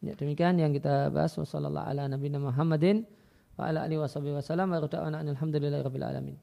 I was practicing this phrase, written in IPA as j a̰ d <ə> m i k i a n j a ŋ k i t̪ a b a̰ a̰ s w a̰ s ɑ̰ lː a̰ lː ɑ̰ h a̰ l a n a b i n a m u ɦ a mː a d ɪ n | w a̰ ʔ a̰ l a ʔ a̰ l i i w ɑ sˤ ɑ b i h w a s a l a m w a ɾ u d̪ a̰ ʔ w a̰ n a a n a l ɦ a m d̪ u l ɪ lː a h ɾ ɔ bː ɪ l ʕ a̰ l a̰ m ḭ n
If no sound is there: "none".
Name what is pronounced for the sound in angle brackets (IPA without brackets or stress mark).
ə